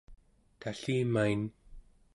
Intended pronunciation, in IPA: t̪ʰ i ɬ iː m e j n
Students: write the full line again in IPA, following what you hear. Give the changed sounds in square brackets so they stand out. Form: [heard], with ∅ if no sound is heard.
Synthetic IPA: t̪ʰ [a] ɬ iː m [a] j n